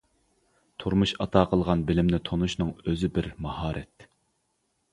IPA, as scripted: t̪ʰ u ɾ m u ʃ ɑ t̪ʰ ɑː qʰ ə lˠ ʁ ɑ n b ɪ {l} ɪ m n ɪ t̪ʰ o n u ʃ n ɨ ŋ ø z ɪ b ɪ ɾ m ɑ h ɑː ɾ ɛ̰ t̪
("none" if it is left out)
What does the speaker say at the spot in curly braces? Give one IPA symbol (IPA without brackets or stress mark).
l